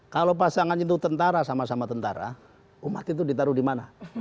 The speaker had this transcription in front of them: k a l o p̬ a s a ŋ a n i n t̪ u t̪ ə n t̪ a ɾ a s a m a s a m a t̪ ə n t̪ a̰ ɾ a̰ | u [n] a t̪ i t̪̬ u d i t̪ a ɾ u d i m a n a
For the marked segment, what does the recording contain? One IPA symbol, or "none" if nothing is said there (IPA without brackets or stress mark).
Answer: m